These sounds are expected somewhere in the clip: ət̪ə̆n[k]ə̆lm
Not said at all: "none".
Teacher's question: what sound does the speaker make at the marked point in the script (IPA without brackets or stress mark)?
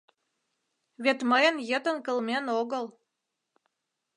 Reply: k